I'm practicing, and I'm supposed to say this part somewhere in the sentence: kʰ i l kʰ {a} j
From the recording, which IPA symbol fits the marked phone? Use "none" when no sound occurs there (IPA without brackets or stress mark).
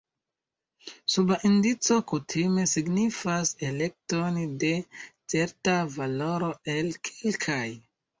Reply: a